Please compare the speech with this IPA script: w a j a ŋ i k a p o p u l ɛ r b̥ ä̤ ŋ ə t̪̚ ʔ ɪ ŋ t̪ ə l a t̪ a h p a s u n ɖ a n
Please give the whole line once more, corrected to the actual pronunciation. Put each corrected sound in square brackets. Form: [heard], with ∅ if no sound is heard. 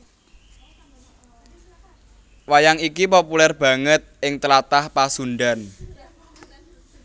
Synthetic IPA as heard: w a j a ŋ i k [i] p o p u l ɛ r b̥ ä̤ ŋ ə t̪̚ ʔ ɪ ŋ t̪ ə l a t̪ a h p a s u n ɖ a n